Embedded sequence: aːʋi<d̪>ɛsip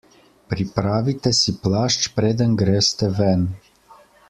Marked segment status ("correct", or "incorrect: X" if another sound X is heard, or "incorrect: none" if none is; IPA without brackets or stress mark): incorrect: t̪